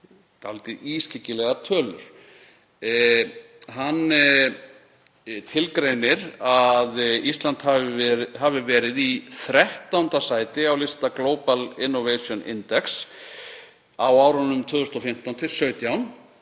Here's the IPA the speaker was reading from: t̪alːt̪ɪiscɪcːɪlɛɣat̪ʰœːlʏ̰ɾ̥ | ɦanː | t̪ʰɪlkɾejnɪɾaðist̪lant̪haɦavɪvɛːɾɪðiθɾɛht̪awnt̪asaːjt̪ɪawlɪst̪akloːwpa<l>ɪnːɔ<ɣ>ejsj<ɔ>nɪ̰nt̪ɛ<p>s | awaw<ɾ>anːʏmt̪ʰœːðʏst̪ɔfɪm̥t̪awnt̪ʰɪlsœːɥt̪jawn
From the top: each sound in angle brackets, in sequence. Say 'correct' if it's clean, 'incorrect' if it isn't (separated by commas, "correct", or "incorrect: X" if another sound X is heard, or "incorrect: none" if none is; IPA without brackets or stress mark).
correct, incorrect: v, correct, incorrect: k, correct